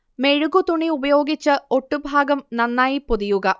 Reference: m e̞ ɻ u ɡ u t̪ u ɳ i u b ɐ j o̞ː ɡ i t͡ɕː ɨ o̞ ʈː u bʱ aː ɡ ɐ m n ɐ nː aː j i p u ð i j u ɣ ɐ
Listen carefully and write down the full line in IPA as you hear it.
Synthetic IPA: m e̞ ɻ u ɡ u t̪ u ɳ i u b ɐ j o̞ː ɡ i t͡ɕː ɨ o̞ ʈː u bʱ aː ɡ ɐ m n ɐ nː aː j i p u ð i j u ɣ ɐ